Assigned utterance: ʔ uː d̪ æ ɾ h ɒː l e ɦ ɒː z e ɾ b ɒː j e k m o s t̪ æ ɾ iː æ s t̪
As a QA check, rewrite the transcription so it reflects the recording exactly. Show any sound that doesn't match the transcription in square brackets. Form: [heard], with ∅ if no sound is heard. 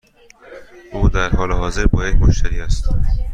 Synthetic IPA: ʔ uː d̪ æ ɾ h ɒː l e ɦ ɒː z e ɾ b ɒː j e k m o [ʃ] t̪ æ ɾ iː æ s t̪

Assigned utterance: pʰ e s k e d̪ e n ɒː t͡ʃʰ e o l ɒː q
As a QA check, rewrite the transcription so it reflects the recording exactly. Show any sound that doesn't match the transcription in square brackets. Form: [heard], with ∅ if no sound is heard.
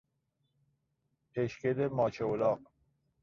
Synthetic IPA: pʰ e [ʃ] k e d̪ e [m] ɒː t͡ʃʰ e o l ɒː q

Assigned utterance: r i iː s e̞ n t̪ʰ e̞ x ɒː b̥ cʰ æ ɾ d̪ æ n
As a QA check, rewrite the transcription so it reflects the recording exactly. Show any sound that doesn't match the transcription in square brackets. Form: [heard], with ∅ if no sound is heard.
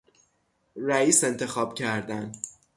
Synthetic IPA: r [æ] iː s e̞ n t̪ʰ e̞ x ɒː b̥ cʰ æ ɾ d̪ æ n

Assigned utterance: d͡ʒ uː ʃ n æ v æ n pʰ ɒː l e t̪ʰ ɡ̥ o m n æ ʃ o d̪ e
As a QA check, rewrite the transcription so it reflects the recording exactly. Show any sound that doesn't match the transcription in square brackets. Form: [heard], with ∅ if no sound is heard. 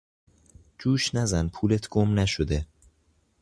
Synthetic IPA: d͡ʒ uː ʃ n æ [z] æ n pʰ [uː] l e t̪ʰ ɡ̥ o m n æ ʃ o d̪ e

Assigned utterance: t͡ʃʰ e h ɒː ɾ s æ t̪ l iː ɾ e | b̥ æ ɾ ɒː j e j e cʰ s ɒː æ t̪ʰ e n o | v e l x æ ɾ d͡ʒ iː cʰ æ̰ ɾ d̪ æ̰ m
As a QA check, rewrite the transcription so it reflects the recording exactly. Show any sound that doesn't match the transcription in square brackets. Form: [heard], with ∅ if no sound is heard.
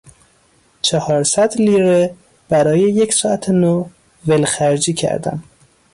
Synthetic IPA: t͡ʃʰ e h ɒː ɾ s æ [d̪] l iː ɾ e | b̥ æ ɾ ɒː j e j e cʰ s ɒː æ t̪ʰ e n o | v e l x æ ɾ d͡ʒ iː cʰ æ̰ ɾ d̪ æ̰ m

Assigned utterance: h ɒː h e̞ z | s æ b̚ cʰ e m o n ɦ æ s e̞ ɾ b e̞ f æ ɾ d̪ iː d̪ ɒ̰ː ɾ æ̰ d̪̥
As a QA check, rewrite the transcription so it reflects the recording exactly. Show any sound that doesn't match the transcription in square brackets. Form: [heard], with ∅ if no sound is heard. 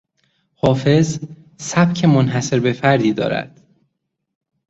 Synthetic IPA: h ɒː [f] e̞ z | s æ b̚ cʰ e m o n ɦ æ s e̞ ɾ b e̞ f æ ɾ d̪ iː d̪ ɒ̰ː ɾ æ̰ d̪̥

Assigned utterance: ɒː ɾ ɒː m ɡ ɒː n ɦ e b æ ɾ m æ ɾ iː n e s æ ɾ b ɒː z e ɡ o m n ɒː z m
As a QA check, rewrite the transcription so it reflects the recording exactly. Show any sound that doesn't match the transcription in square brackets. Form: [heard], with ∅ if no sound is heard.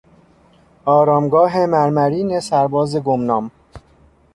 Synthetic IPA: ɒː ɾ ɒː m ɡ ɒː [∅] ɦ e [m] æ ɾ m æ ɾ iː n e s æ ɾ b ɒː z e ɡ o m n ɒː [∅] m

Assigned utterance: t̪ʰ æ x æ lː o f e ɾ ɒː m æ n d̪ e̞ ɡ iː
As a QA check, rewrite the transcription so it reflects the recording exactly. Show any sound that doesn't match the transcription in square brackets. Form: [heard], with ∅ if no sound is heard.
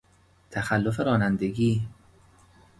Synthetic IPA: t̪ʰ æ x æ lː o f e ɾ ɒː [n] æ n d̪ e̞ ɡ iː

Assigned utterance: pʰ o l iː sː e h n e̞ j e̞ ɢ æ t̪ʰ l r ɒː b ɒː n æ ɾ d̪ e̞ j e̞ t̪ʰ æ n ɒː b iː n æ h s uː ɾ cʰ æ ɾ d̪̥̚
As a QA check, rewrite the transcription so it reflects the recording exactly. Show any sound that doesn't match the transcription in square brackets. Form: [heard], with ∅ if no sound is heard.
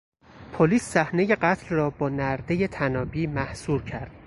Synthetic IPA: pʰ o l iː sː [æ] h n e̞ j e̞ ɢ æ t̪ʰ l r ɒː b ɒː n æ ɾ d̪ e̞ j e̞ t̪ʰ æ n ɒː b iː [m] æ h s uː ɾ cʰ æ ɾ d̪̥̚

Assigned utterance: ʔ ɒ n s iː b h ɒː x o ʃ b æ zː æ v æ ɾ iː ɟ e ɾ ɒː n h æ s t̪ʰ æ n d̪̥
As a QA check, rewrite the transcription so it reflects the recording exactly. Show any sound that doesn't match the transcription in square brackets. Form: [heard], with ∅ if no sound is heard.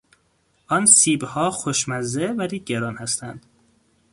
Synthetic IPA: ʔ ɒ n s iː b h ɒː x o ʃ [m] æ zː [e] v æ ɾ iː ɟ e ɾ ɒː n h æ s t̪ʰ æ n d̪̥

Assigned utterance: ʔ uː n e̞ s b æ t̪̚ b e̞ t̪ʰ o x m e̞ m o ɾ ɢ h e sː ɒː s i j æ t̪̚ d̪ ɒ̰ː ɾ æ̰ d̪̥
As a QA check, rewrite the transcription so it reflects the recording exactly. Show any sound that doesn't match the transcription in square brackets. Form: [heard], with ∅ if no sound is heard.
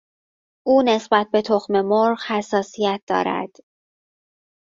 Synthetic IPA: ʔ uː n e̞ s b æ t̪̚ b e̞ t̪ʰ o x m e̞ m o ɾ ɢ h [æ] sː ɒː s i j æ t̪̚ d̪ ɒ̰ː ɾ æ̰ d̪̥

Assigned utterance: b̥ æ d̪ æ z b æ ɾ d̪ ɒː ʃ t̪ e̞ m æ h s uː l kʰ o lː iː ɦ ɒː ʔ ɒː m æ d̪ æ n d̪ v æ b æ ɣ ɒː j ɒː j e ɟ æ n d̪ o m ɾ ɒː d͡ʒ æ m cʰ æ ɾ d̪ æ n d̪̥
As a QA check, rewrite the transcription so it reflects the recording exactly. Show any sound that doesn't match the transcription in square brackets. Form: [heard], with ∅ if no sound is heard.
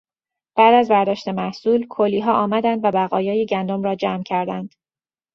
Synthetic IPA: b̥ æ d̪ æ z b æ ɾ d̪ ɒː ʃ t̪ e̞ m æ h s uː l kʰ o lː iː ɦ ɒː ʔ ɒː m æ d̪ æ n d̪ v æ b æ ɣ ɒː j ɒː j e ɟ æ n d̪ o m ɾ ɒː d͡ʒ æ m cʰ æ ɾ d̪ æ n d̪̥

